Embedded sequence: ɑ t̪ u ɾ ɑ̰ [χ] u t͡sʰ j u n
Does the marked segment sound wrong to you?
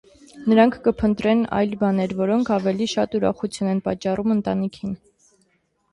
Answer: no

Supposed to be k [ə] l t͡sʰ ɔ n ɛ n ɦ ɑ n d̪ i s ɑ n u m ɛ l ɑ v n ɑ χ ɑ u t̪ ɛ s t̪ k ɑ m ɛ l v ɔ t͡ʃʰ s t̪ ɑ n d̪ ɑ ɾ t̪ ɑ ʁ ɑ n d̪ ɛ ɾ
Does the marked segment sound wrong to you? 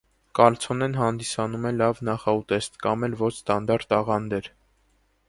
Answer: yes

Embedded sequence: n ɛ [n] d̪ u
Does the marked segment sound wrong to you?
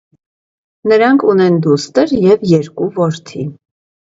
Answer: no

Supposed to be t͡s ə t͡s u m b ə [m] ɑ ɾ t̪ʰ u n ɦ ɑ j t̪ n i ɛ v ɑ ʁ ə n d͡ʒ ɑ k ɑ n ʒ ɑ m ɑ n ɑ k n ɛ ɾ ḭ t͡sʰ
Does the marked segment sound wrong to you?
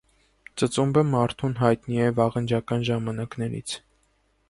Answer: no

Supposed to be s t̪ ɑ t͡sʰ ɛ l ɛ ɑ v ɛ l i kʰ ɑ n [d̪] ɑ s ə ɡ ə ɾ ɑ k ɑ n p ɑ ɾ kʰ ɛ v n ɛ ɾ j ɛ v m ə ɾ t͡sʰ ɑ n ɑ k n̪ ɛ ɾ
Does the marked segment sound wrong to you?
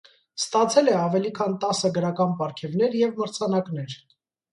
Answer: yes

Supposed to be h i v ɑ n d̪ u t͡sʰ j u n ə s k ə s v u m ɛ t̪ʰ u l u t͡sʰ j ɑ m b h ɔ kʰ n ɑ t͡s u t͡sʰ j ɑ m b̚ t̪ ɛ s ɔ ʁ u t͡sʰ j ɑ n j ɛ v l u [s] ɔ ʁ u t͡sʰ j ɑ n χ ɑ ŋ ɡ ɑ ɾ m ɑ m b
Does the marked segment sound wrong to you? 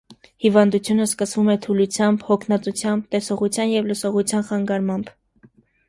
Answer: no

